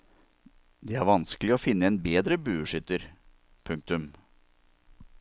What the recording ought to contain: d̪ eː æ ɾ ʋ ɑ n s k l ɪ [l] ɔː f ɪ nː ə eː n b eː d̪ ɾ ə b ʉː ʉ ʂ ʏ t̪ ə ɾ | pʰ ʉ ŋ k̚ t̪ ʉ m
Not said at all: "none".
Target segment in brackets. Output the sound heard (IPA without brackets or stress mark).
none